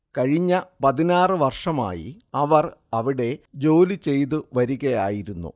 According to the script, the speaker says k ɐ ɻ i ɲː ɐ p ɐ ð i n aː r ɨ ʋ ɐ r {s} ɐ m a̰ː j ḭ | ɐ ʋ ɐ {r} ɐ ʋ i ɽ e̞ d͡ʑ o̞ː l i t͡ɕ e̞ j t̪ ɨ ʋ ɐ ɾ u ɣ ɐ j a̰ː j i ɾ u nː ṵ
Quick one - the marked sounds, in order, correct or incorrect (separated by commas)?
incorrect, correct